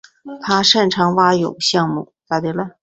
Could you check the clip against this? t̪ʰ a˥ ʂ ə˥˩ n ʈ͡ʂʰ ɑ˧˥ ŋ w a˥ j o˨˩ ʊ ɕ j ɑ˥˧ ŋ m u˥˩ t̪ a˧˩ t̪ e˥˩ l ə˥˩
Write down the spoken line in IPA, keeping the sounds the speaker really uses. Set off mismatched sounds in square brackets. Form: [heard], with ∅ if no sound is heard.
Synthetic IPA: t̪ʰ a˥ ʂ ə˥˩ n ʈ͡ʂʰ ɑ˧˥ ŋ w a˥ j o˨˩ ʊ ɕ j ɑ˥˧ ŋ m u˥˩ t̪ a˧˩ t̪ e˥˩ l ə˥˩

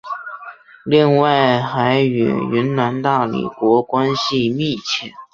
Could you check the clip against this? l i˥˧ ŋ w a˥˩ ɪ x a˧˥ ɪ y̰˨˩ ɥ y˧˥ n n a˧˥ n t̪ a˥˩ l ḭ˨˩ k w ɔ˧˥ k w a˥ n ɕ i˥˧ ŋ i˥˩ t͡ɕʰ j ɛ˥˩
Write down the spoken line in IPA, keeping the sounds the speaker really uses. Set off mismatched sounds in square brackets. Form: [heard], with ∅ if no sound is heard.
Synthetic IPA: l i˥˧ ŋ w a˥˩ ɪ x a˧˥ ɪ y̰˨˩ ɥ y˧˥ n n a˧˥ n t̪ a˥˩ l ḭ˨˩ k w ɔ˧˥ k w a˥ n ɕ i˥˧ [m] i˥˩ t͡ɕʰ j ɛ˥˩

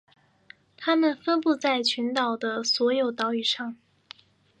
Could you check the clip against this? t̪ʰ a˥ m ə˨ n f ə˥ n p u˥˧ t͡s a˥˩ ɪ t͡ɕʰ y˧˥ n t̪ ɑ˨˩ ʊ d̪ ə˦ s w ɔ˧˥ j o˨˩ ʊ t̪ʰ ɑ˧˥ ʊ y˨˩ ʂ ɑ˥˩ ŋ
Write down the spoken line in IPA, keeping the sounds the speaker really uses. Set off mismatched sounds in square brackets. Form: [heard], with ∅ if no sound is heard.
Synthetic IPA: t̪ʰ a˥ m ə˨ n f ə˥ n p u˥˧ t͡s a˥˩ ɪ t͡ɕʰ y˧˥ n t̪ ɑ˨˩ ʊ d̪ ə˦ s w ɔ˧˥ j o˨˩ ʊ [t̪] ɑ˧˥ ʊ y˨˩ ʂ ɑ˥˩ ŋ

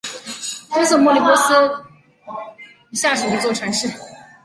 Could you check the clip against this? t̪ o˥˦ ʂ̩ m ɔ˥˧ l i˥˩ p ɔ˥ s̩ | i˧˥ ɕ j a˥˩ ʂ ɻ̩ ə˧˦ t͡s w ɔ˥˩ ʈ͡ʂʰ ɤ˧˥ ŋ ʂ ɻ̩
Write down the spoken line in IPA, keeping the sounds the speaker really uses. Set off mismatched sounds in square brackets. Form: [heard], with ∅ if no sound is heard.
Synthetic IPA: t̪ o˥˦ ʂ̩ m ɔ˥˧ l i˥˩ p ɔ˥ s̩ | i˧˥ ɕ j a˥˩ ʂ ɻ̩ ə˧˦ t͡s w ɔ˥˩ ʈ͡ʂʰ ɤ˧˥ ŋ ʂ ɻ̩

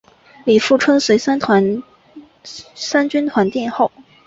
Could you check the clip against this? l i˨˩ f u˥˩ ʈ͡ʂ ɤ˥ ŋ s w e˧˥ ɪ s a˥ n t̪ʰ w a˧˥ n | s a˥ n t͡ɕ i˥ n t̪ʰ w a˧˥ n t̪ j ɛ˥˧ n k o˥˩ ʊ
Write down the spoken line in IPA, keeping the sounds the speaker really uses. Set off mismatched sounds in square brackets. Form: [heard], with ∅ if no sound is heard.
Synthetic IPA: l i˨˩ f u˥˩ [ʈ͡ʂʰ] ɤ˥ ŋ s w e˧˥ ɪ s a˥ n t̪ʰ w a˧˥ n | s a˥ n t͡ɕ [y˥] n t̪ʰ w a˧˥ n t̪ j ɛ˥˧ n [x] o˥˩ ʊ

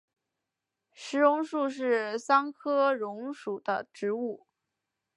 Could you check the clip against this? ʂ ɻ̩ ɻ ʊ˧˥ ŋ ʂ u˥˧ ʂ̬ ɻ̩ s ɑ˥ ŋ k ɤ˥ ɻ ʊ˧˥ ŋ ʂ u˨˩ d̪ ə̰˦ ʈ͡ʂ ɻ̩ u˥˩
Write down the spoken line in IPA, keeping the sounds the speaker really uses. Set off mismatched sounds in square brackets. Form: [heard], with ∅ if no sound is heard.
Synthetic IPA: ʂ ɻ̩ ɻ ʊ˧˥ ŋ ʂ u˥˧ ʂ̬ ɻ̩ s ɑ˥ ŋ [kʰ] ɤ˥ ɻ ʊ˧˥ ŋ ʂ u˨˩ d̪ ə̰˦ ʈ͡ʂ ɻ̩ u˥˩

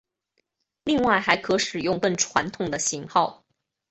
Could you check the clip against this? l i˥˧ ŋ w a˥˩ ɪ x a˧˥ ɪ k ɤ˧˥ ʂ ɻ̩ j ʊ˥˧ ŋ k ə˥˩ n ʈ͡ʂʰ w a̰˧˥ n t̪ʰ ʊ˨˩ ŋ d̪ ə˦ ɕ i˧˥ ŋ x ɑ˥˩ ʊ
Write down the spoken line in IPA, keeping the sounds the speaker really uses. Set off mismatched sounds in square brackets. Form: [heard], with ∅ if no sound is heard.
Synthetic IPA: l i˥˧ ŋ w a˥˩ ɪ x a˧˥ ɪ [kʰ] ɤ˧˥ ʂ ɻ̩ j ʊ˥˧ ŋ k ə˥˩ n ʈ͡ʂʰ w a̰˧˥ n t̪ʰ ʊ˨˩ ŋ d̪ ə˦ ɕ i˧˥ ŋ x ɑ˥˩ ʊ

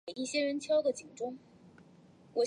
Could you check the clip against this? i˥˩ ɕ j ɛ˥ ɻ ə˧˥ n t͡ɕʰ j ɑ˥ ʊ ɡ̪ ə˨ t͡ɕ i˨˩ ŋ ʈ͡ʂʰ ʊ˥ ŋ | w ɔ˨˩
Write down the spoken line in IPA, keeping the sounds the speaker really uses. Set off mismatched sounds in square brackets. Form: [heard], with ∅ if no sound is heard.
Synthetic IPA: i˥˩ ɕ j ɛ˥ ɻ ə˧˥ n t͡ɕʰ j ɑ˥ ʊ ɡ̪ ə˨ t͡ɕ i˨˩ ŋ [ʈ͡ʂ] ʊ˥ ŋ | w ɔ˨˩

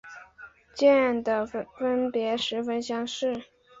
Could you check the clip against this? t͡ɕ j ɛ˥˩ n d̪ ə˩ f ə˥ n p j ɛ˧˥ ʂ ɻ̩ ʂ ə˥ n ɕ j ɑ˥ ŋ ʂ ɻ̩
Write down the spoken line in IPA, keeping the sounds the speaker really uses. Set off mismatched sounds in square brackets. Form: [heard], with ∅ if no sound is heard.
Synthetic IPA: t͡ɕ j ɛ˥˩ n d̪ ə˩ f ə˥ n p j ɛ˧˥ ʂ ɻ̩ [f] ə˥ n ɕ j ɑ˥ ŋ ʂ ɻ̩

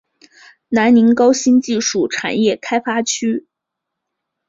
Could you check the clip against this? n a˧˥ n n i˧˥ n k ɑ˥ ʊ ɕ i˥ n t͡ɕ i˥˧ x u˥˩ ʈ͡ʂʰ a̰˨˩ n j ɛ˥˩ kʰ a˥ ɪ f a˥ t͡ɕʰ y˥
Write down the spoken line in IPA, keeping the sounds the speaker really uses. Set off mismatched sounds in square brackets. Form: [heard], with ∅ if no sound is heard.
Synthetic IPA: n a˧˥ n n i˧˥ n k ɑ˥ ʊ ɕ i˥ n t͡ɕ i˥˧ [ʂ] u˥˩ ʈ͡ʂʰ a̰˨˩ n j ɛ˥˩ kʰ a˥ ɪ f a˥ t͡ɕʰ y˥

